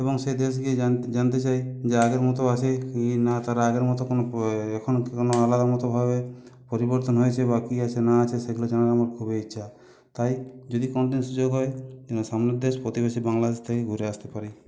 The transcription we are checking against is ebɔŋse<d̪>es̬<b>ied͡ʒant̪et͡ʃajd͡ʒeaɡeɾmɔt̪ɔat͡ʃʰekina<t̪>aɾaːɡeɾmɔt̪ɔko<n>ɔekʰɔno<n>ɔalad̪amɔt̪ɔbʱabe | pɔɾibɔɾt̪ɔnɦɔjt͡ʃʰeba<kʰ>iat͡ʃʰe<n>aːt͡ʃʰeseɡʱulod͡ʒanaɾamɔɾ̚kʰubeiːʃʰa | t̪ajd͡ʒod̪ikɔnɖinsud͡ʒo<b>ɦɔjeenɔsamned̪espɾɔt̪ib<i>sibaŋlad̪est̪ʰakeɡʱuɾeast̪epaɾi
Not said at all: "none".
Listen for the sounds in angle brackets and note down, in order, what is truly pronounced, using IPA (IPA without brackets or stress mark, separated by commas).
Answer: d̪, ɡ, t̪, n, n, k, n, ɡ, e